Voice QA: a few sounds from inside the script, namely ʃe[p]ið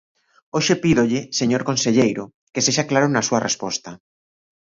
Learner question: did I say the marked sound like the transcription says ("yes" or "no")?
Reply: yes